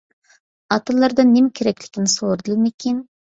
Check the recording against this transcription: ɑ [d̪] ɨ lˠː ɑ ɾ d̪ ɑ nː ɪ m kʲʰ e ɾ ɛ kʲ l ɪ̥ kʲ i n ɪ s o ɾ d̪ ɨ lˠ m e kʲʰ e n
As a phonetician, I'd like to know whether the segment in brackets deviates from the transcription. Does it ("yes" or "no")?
yes